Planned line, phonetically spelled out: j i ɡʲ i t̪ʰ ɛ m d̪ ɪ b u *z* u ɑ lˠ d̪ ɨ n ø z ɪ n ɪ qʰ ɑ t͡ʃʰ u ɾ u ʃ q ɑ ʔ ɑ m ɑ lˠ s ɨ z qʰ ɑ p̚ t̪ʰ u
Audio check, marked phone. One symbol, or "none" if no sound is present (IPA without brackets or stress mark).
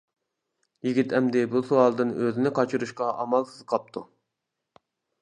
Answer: s